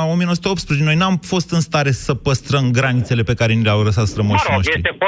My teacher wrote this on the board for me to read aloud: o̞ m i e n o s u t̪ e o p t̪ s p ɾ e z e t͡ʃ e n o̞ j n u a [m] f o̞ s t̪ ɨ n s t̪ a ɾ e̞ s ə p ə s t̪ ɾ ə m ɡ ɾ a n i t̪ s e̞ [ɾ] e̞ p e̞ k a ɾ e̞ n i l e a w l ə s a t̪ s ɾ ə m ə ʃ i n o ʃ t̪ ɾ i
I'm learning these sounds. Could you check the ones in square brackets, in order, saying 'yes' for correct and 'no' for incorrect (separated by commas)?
yes, no